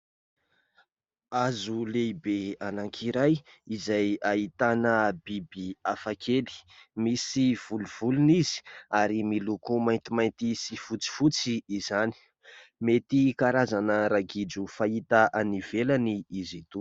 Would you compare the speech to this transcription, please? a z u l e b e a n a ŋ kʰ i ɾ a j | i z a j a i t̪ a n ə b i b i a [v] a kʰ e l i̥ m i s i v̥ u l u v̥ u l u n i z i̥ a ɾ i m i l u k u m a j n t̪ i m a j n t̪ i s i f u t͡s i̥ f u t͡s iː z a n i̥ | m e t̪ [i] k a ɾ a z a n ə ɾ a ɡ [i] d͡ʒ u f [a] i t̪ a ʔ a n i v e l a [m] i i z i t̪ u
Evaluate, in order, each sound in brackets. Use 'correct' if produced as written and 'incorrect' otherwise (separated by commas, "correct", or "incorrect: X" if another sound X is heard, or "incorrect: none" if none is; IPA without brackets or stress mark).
incorrect: f, correct, correct, correct, incorrect: n